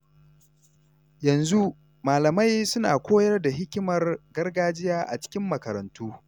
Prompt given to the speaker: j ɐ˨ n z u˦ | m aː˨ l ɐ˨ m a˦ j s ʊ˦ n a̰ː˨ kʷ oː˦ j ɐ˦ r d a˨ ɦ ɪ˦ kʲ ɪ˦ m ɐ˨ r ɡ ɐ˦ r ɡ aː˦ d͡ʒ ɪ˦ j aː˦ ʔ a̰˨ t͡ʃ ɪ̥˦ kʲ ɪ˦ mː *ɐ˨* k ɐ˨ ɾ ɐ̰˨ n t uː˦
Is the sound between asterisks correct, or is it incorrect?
correct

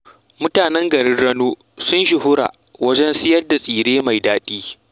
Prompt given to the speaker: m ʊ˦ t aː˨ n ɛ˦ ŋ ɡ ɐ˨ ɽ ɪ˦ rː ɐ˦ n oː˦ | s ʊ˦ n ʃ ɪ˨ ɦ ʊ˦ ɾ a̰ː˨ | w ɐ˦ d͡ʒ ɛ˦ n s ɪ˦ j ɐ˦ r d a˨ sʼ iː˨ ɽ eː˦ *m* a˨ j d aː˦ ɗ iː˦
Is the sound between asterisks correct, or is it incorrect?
correct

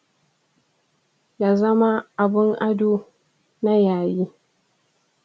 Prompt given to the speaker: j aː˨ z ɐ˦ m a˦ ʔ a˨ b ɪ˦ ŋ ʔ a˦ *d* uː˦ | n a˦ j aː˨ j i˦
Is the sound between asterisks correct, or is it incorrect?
correct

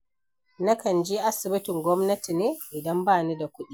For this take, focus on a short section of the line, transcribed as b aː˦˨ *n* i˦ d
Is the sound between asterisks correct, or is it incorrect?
correct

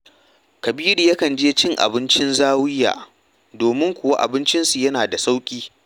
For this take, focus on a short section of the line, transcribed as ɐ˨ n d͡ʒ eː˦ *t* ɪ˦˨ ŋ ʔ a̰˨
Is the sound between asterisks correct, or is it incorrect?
incorrect: t͡ʃ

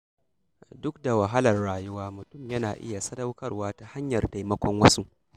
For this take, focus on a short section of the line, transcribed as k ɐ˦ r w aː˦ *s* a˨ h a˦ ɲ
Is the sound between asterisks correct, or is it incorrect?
incorrect: t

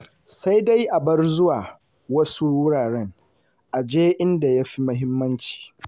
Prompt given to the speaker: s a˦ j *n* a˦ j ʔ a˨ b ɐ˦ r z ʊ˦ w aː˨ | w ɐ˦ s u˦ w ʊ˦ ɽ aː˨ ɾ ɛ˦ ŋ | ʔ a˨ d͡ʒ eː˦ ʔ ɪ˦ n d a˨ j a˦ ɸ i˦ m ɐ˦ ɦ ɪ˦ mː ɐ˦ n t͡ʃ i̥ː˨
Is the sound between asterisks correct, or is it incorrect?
incorrect: d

